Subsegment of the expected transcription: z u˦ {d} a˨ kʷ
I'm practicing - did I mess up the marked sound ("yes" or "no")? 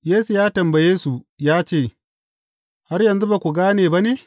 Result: yes